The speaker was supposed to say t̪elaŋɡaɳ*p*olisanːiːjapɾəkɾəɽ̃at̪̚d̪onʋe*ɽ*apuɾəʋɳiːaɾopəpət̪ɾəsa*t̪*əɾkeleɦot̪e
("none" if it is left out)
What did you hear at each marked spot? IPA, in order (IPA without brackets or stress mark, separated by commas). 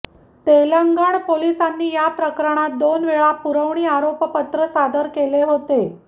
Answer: p, ɭ, d̪